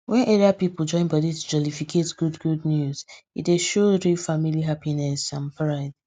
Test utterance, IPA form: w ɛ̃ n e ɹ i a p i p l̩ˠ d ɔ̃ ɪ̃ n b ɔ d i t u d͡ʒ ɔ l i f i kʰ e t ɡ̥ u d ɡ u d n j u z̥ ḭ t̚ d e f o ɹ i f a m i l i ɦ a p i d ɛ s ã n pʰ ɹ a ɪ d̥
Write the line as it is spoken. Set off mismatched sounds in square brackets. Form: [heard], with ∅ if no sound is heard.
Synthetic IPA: w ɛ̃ n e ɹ i a p i p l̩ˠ [d͡ʒ] ɔ̃ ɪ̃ n b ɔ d i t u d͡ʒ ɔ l i f i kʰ e t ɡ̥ u d ɡ u d n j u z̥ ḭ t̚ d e [ʃ] o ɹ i f a m i l i ɦ a p i [n] ɛ s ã n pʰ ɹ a ɪ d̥